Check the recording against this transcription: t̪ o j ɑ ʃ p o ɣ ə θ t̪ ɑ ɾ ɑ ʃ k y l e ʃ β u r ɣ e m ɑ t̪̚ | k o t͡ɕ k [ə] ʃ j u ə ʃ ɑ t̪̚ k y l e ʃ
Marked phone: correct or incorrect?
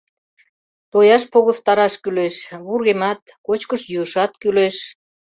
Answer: correct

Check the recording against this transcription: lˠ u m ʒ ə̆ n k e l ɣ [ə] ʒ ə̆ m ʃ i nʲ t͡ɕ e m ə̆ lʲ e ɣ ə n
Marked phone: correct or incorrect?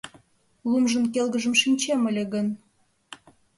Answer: correct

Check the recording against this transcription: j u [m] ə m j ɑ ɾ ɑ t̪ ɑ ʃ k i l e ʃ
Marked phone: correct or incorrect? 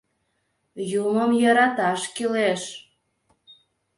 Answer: correct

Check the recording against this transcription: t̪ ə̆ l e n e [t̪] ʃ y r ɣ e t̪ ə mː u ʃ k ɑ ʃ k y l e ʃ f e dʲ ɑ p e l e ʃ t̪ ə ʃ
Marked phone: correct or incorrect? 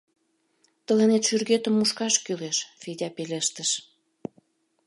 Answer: correct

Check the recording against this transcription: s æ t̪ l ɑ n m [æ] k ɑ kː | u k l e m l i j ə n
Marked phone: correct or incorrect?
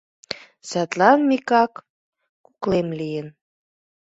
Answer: incorrect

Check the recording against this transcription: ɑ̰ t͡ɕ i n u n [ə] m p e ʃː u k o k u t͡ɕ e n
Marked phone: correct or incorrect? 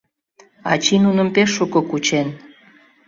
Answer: correct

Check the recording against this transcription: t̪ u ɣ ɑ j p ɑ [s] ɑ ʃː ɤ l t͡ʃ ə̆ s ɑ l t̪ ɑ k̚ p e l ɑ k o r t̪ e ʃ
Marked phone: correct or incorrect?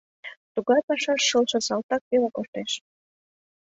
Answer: incorrect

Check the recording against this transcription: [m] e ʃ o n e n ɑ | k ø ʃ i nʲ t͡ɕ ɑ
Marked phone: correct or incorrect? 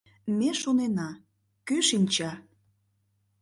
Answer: correct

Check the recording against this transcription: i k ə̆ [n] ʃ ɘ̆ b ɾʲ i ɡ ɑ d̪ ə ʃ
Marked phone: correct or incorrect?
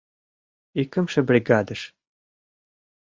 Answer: incorrect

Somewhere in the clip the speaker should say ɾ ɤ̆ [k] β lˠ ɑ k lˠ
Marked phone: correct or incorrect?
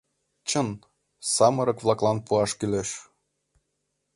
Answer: correct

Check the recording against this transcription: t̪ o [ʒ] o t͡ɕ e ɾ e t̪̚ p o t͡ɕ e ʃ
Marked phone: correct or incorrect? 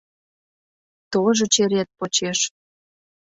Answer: correct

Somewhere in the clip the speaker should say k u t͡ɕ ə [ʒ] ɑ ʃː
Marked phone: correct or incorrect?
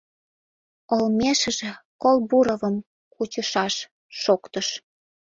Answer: incorrect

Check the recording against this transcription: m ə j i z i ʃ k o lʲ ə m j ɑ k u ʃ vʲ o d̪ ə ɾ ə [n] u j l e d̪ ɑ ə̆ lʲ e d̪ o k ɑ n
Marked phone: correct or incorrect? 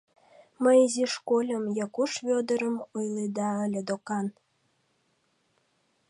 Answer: incorrect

